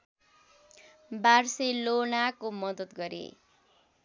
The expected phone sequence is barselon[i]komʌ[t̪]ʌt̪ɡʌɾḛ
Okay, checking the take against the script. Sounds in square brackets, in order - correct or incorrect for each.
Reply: incorrect: a, incorrect: d̪

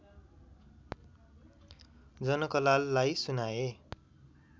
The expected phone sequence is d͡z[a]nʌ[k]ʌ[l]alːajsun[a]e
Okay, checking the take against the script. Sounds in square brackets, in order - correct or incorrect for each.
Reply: incorrect: ʌ, correct, correct, correct

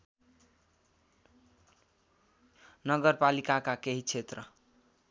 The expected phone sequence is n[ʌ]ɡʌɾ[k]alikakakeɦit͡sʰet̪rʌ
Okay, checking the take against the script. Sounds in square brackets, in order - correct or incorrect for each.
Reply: correct, incorrect: p

